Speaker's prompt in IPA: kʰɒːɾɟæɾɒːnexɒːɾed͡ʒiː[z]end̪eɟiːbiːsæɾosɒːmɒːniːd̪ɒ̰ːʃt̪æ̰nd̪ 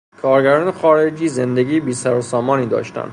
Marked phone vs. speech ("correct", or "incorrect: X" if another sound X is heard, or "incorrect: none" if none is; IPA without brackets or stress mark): correct